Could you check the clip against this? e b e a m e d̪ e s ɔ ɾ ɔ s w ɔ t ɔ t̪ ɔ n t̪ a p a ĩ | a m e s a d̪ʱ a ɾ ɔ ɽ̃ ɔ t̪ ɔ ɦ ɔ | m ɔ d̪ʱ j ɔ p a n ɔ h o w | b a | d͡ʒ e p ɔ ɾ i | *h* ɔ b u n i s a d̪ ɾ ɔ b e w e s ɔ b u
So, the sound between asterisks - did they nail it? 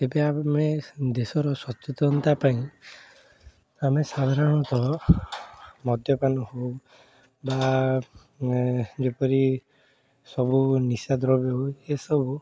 no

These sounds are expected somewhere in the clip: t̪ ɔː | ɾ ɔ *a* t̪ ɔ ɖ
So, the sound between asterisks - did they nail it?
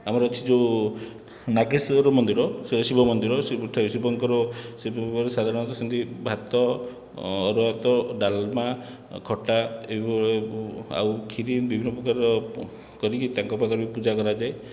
yes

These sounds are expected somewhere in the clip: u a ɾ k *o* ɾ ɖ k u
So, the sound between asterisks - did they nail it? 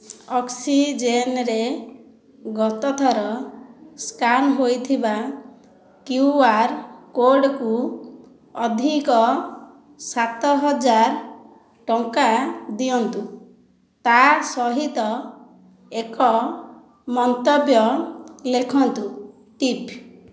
yes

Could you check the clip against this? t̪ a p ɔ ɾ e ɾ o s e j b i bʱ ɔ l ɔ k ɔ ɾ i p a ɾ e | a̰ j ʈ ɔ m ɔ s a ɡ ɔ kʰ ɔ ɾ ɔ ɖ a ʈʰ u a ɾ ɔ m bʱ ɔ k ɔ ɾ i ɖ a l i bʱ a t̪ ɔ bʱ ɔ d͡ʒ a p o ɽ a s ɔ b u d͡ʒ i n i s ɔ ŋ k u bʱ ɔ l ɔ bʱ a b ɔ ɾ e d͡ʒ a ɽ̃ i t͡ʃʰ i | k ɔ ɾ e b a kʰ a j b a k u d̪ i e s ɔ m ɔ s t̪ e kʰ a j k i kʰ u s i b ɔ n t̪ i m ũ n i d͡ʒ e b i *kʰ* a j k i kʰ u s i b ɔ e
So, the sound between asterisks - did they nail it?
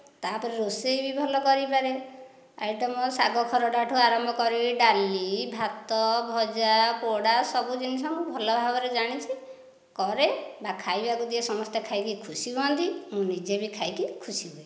yes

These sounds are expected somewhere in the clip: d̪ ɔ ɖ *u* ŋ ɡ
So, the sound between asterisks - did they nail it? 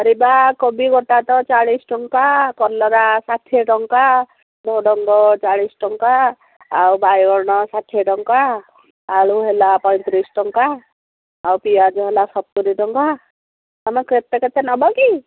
no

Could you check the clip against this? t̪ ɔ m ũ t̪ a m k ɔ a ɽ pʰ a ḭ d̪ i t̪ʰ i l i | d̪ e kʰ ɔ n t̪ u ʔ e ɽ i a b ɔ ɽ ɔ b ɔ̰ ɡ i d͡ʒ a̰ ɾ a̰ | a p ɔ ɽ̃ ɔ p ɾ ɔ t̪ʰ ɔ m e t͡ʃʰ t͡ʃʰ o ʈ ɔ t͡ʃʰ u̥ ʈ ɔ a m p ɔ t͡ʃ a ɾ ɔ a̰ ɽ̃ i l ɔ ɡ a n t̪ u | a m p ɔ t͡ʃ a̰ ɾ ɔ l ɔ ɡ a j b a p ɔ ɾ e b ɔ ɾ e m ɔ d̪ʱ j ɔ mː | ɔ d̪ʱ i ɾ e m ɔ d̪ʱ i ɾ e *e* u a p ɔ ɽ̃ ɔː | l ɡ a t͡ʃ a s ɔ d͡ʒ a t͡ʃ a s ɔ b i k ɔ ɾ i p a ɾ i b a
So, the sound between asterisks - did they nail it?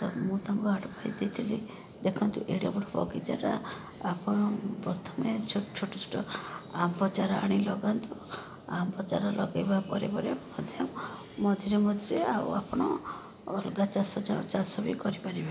no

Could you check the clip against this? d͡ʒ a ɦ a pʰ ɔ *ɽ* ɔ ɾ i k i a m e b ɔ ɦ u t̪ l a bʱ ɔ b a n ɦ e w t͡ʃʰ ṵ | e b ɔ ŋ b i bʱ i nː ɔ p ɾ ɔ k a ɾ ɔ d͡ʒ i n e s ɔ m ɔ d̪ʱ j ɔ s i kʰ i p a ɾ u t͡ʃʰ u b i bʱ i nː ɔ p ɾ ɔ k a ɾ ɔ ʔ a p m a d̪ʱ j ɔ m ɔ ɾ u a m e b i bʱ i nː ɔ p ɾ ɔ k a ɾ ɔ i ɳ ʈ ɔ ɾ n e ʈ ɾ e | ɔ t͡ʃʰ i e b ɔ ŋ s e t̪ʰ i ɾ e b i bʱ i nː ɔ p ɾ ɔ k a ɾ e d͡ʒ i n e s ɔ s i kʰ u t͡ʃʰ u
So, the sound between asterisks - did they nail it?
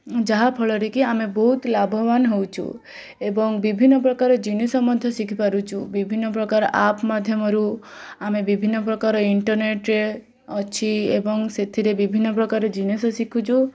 no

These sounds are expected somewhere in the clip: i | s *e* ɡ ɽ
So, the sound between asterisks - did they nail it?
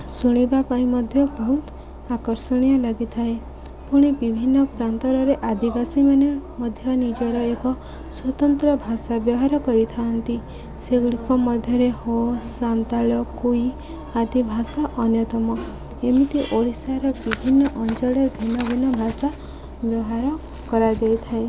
yes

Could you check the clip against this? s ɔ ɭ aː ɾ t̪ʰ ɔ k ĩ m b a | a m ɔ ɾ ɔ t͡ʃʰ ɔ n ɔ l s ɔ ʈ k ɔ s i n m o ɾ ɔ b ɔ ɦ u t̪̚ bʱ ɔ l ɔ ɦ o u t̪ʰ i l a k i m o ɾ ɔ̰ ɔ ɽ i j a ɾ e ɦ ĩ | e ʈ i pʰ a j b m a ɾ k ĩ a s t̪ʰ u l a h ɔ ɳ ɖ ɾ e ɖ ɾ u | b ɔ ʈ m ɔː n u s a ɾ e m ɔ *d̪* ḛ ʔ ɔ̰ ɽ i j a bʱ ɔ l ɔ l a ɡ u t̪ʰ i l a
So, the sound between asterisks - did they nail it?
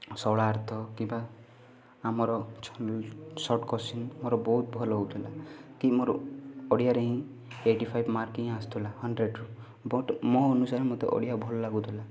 no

